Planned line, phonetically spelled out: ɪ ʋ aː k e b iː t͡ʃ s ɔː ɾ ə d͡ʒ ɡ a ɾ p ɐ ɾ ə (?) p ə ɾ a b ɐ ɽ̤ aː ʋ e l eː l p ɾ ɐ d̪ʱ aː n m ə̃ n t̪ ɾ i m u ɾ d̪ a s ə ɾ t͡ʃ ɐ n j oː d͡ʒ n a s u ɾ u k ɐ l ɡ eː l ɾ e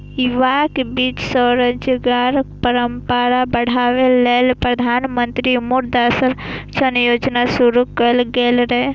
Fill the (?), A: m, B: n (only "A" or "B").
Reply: A